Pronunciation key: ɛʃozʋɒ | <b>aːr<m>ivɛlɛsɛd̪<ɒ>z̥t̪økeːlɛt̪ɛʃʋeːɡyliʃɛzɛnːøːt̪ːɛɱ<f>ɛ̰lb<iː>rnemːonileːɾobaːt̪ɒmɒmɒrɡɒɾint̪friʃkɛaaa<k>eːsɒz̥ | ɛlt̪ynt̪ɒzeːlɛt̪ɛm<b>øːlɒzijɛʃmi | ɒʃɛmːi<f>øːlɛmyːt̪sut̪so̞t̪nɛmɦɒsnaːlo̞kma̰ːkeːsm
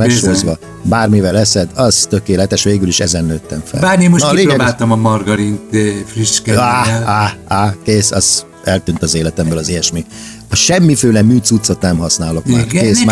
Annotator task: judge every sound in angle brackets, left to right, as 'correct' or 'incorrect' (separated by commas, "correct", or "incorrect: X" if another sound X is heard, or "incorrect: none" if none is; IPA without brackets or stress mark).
correct, correct, correct, correct, incorrect: aː, correct, correct, correct